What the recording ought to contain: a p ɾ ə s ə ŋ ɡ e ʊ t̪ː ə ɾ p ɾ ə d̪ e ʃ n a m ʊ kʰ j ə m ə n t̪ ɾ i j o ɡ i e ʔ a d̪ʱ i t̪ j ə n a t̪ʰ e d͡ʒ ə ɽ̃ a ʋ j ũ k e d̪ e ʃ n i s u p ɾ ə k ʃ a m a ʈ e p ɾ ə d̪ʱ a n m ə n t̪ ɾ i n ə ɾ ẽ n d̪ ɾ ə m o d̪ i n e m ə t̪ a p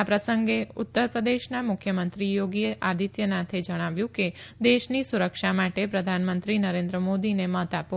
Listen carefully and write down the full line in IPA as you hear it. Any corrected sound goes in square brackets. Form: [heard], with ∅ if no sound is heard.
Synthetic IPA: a p ɾ ə s ə ŋ ɡ e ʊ t̪ː ə ɾ p ɾ ə d̪ e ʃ n a m ʊ kʰ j ə m ə n t̪ ɾ i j o ɡ i e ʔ a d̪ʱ i t̪ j ə n a t̪ʰ e d͡ʒ ə ɽ̃ a ʋ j ũ k e d̪ e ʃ n i s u [∅] ɾ ə k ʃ a m a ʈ e p ɾ ə d̪ʱ a n m ə n t̪ ɾ i n ə ɾ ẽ n d̪ ɾ ə m o d̪ i n e m ə t̪ a p

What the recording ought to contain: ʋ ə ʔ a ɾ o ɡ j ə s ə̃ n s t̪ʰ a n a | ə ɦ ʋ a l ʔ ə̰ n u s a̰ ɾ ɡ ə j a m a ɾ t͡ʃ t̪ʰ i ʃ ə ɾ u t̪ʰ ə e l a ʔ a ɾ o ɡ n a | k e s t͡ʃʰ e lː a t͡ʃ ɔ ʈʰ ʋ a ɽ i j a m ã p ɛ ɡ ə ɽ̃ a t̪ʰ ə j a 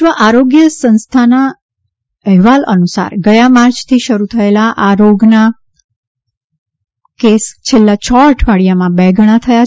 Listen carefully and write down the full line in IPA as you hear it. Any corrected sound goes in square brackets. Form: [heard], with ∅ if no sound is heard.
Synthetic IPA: ʋ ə ʔ a ɾ o ɡ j ə s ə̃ n s t̪ʰ a n a | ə ɦ ʋ a l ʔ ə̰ n u s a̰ ɾ ɡ ə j a m a ɾ t͡ʃ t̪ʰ i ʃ ə ɾ u t̪ʰ ə e l a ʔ a ɾ o ɡ n a | k e s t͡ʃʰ e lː a t͡ʃ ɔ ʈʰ ʋ a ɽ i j a m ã [b] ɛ ɡ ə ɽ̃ a t̪ʰ ə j a

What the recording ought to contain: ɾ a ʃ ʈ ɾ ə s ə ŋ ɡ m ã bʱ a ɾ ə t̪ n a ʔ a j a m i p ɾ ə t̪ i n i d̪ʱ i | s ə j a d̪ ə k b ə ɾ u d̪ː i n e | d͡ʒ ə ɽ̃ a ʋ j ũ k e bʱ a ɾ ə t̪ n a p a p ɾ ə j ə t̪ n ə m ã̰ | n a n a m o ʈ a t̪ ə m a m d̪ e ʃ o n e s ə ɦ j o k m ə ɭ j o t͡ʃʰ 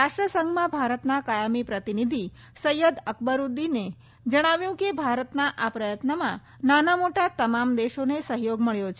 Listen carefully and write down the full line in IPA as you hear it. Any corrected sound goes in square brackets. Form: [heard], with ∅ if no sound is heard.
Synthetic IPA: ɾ a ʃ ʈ ɾ ə s ə ŋ ɡ m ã bʱ a ɾ ə t̪ n a [k] a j a m i p ɾ ə t̪ i n i d̪ʱ i | s ə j [ə] d̪ ə k b ə ɾ u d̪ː i n e | d͡ʒ ə ɽ̃ a ʋ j ũ k e bʱ a ɾ ə t̪ n a [ʔ] a p ɾ ə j ə t̪ n ə m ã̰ | n a n a m o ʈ a t̪ ə m a m d̪ e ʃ o n e s ə ɦ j o [ɡ] m ə ɭ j o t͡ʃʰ

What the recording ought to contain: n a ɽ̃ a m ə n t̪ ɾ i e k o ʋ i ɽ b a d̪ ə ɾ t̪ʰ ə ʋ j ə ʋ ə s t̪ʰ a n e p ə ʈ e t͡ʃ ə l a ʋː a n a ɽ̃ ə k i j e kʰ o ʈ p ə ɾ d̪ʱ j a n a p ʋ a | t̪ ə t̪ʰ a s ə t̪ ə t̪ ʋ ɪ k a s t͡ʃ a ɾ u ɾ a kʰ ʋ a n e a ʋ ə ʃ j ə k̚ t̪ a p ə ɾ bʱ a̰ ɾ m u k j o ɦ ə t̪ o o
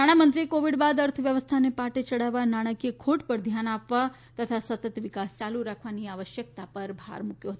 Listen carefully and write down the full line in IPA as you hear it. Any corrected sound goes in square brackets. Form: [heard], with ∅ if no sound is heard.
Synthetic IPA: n a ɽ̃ a m ə n t̪ ɾ i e k o ʋ i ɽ b a d̪ ə ɾ t̪ʰ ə ʋ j ə ʋ ə s t̪ʰ a n e p [a] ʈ e t͡ʃ ə [ɽ] a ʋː a n a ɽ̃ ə k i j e kʰ o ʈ p ə ɾ d̪ʱ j a n a p ʋ a | t̪ ə t̪ʰ a s ə t̪ ə t̪ ʋ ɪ k a s t͡ʃ a [l] u ɾ a kʰ ʋ a n [i] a ʋ ə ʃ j ə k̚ t̪ a p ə ɾ bʱ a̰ ɾ m u k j o ɦ ə t̪ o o

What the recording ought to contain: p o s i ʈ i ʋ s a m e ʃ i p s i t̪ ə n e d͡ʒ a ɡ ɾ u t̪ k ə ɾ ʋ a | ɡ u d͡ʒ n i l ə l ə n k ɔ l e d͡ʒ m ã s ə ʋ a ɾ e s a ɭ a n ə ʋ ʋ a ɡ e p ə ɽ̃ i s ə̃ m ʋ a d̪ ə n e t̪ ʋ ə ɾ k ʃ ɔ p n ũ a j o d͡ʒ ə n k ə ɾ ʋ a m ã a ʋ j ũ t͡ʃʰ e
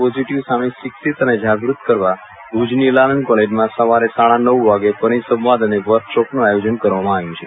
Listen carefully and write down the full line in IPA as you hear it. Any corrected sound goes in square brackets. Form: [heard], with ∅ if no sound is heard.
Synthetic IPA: p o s i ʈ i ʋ s a m e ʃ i [k] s i t̪ ə n e d͡ʒ a ɡ ɾ u t̪ k ə ɾ ʋ a | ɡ u d͡ʒ n i l [a] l ə n k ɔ l e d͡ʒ m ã s ə ʋ a ɾ e s a ɭ a n ə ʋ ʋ a ɡ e p ə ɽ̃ i s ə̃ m ʋ a d̪ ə n e [∅] ʋ ə ɾ k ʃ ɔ p n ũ a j o d͡ʒ ə n k ə ɾ ʋ a m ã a ʋ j ũ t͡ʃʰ e

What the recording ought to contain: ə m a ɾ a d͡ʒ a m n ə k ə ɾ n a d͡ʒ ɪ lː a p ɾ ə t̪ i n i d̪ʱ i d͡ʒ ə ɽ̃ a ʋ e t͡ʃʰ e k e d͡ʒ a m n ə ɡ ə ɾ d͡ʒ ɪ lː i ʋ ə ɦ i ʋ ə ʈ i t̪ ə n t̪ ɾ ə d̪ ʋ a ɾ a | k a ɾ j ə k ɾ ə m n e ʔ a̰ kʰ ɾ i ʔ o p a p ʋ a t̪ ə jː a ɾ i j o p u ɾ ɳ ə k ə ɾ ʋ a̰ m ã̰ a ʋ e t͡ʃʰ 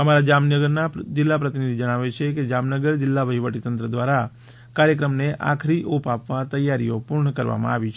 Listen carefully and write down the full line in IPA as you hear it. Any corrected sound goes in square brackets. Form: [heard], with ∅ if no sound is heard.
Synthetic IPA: ə m a ɾ a d͡ʒ a m n ə [ɡ] ə ɾ n a d͡ʒ ɪ lː a p ɾ ə t̪ i n i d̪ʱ i d͡ʒ ə ɽ̃ a ʋ e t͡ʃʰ e k e d͡ʒ a m n ə ɡ ə ɾ d͡ʒ ɪ lː [a] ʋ ə ɦ i ʋ ə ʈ i t̪ ə n t̪ ɾ ə d̪ ʋ a ɾ a | k a ɾ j ə k ɾ ə m n e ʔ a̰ kʰ ɾ i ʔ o p a p ʋ a t̪ ə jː a ɾ i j o p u ɾ ɳ ə k ə ɾ ʋ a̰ m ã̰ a ʋ [i] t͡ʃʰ

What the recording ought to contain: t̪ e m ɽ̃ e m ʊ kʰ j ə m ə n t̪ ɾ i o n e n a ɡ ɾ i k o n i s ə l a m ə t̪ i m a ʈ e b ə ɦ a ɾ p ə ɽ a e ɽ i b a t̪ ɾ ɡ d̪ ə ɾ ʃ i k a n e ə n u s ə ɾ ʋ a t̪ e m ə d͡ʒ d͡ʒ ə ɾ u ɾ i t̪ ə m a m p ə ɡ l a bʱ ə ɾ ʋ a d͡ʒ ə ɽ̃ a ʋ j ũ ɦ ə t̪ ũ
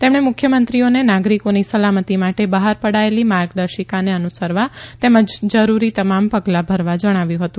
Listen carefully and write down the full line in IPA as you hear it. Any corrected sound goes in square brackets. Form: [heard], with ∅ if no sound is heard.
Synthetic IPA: t̪ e m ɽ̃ e m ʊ kʰ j ə m ə n t̪ ɾ i o n e n a ɡ ɾ i k o n i s ə l a m ə t̪ i m a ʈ e b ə ɦ a ɾ p ə ɽ a e [l] i [m] a [∅] ɾ ɡ d̪ ə ɾ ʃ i k a n e ə n u s ə ɾ ʋ a t̪ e m ə d͡ʒ d͡ʒ ə ɾ u ɾ i t̪ ə m a m p ə ɡ l a bʱ ə ɾ ʋ a d͡ʒ ə ɽ̃ a ʋ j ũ ɦ ə t̪ ũ

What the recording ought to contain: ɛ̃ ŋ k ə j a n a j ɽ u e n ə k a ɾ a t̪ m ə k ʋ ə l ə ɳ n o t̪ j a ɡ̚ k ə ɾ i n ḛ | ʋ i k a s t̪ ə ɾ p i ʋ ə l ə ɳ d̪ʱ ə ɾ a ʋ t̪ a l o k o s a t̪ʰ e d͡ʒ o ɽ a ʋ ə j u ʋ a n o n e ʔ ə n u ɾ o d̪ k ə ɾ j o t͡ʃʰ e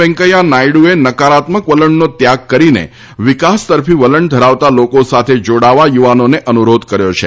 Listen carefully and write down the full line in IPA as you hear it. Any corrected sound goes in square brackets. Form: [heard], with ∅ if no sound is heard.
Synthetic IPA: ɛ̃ ŋ k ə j a n a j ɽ u e n ə k a ɾ a t̪ m ə k ʋ ə l ə ɳ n o t̪ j a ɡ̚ k ə ɾ i n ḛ | ʋ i k a s t̪ ə ɾ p i ʋ ə l ə ɳ d̪ʱ ə ɾ a ʋ t̪ a l o k o s a t̪ʰ e d͡ʒ o ɽ a ʋ [a] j u ʋ a n o n e ʔ ə n u ɾ o d̪ k ə ɾ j o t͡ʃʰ e

